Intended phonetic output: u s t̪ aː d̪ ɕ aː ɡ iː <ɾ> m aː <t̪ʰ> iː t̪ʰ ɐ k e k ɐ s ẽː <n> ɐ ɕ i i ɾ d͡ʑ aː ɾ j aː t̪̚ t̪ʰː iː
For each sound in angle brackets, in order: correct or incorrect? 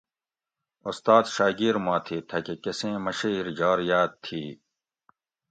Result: correct, correct, incorrect

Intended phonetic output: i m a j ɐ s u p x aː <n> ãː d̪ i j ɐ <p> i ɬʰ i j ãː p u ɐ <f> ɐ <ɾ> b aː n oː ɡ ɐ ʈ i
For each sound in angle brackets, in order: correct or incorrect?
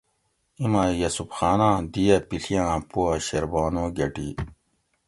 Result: correct, correct, incorrect, correct

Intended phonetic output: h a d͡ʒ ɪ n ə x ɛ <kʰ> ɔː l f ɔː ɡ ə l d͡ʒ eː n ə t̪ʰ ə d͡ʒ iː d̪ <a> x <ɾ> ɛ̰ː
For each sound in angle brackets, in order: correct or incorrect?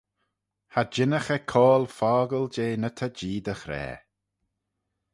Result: correct, incorrect, correct

